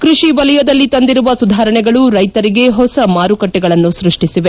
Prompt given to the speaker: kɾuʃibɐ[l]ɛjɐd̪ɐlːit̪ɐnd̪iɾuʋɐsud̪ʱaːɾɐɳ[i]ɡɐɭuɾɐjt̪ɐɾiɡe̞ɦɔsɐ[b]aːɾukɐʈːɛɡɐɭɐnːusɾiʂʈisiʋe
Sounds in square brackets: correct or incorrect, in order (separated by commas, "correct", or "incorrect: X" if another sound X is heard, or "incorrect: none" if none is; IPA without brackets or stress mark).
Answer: correct, incorrect: ɛ, incorrect: m